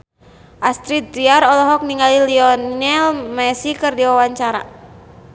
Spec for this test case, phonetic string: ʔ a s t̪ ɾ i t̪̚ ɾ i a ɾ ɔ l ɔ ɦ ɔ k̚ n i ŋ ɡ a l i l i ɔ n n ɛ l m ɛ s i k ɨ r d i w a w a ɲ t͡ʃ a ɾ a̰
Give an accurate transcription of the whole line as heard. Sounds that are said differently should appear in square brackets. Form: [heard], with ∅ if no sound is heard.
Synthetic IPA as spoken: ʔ a s t̪ ɾ i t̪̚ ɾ i a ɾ ɔ l ɔ ɦ ɔ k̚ n i ŋ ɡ a l i l i ɔ n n ɛ l m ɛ s i k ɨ r d i w a w a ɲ t͡ʃ a ɾ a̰